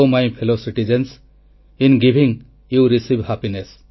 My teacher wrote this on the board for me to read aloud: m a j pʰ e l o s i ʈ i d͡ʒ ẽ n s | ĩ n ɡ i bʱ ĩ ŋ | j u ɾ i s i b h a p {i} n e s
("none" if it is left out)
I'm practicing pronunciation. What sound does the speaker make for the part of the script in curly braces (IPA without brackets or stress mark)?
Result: i